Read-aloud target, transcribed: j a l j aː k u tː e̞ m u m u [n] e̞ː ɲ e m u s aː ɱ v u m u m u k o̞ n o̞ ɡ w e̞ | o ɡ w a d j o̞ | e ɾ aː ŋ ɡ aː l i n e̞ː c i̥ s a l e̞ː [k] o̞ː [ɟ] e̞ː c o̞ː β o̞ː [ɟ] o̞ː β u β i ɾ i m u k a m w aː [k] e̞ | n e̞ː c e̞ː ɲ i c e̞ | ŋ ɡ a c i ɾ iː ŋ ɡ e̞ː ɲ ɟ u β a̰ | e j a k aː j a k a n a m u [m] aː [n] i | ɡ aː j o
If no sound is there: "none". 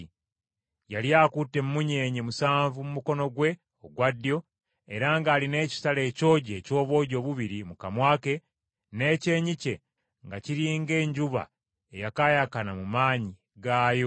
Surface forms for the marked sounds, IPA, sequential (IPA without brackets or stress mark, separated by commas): ɲ, c, ɟ, ɟ, k, m, ɲ